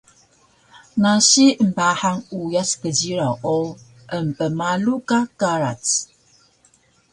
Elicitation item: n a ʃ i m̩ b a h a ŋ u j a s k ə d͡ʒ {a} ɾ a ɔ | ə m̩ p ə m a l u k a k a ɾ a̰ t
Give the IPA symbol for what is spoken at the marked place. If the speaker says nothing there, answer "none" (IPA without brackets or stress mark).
i